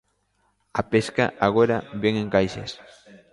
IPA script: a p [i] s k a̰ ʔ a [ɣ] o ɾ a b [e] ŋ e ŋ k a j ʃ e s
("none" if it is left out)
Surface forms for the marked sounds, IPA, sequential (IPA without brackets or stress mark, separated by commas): e, ɣ, e